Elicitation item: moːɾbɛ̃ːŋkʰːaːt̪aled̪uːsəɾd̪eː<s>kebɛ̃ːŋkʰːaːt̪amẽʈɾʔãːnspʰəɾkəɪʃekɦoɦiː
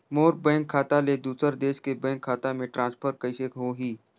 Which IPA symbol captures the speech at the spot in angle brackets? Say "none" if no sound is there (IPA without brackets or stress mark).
ʃ